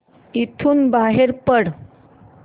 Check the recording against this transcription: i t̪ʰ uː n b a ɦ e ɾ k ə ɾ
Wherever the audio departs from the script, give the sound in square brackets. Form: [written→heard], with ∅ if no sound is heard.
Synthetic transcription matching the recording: i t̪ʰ uː n b a ɦ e ɾ [k→p] ə [ɾ→ɽ]